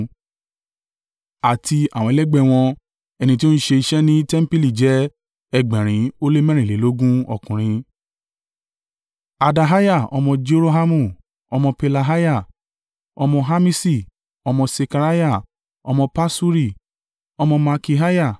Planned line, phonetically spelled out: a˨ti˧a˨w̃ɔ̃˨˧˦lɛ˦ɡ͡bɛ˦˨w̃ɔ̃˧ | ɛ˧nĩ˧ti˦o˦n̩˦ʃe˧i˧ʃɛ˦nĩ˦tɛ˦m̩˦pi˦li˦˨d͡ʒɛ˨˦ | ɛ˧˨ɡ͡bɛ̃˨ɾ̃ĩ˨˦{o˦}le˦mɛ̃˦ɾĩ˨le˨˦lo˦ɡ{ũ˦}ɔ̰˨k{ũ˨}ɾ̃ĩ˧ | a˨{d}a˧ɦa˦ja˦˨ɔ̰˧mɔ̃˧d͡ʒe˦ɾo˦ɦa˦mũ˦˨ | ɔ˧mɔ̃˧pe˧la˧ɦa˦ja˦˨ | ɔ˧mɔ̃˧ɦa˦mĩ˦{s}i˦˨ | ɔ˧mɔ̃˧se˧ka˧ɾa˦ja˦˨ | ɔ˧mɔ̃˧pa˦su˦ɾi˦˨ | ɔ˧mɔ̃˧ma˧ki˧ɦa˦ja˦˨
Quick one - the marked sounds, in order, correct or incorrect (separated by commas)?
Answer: correct, correct, correct, correct, correct